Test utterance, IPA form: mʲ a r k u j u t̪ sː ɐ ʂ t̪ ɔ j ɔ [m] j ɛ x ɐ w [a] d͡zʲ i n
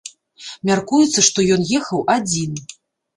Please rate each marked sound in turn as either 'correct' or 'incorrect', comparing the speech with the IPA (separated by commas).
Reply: incorrect, correct